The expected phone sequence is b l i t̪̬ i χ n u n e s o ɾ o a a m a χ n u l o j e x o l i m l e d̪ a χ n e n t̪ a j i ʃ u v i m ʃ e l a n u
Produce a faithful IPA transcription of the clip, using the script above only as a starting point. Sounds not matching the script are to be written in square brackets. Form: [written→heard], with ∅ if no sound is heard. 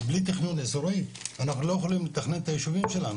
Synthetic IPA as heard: b l i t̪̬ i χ n u n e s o ɾ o [a→i] a [m→n] a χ n u l o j e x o l i m l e [d̪→t̪] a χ n e n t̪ a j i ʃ u v i m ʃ e l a n u